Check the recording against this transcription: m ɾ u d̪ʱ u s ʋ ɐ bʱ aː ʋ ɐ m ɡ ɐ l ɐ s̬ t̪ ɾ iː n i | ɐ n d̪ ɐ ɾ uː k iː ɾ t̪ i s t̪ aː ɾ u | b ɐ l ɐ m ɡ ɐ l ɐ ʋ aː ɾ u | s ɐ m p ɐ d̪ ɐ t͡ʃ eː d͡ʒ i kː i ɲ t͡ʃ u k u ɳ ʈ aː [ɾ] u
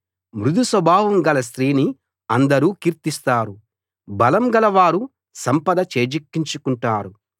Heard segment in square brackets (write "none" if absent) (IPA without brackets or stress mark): ɾ